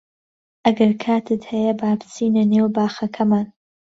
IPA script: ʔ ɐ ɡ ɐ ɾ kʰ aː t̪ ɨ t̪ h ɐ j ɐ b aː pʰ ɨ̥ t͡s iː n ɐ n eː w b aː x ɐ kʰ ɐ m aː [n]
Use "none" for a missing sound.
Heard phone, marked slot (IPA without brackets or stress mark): n